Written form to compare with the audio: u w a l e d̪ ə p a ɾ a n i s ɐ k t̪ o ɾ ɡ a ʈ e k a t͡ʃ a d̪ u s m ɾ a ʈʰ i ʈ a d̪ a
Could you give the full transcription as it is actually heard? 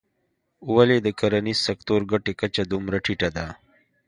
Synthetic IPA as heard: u w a l e d̪ ə k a ɾ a n i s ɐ k t̪ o ɾ ɡ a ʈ e k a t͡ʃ a d̪ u m ɾ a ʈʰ i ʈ a d̪ a

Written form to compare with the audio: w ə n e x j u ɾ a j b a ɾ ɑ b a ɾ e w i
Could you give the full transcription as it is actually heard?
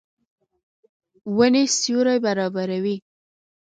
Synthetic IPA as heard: w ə n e s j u ɾ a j b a ɾ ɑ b a ɾ a w i

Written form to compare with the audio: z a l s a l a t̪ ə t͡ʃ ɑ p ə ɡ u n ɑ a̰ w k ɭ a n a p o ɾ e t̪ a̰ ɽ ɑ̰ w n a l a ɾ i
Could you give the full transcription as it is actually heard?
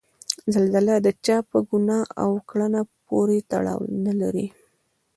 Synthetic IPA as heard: z a l z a l a d̪ ə t͡ʃ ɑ p ə ɡ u n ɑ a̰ w k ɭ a n a p o ɾ e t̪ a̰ ɽ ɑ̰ w n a l a ɾ i

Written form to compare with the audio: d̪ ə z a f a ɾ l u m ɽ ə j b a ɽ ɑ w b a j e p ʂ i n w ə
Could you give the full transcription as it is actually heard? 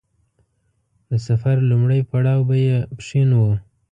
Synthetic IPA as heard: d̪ ə s a f a ɾ l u m ɽ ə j p a ɽ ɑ w b a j e p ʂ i n w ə

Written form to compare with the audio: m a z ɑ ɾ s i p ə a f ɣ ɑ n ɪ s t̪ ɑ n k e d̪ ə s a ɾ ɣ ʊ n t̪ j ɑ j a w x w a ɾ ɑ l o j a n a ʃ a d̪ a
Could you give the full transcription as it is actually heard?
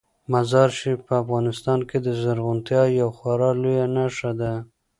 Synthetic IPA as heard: m a z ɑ ɾ ʃ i p ə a f ɣ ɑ n ɪ s t̪ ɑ n k e d̪ ə z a ɾ ɣ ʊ n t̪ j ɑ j a w x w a ɾ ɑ l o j a n a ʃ a d̪ a

